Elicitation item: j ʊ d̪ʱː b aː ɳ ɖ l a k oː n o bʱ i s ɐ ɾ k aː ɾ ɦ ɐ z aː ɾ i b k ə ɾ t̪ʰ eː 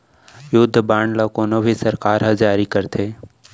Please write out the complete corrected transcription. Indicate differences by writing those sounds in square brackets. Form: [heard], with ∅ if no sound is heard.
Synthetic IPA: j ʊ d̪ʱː b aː ɳ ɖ l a k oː n o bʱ i s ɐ ɾ k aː ɾ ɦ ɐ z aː ɾ i [∅] k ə ɾ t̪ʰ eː